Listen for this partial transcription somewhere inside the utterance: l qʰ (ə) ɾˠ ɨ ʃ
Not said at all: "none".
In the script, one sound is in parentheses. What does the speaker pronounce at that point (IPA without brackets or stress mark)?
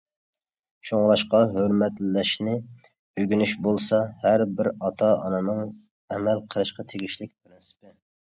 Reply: ə